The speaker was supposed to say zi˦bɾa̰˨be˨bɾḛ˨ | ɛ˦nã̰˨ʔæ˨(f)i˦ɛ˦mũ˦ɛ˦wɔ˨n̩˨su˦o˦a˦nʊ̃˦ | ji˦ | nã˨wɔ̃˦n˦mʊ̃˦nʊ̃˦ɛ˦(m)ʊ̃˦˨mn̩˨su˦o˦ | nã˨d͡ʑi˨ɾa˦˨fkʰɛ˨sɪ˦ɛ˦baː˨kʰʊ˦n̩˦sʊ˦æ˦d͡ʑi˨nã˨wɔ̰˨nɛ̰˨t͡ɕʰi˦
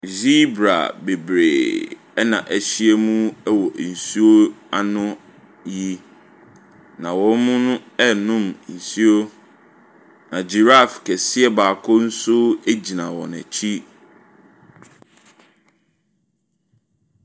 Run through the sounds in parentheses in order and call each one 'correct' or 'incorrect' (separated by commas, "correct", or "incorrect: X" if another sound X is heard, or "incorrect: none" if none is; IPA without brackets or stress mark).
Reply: incorrect: ɕ, incorrect: n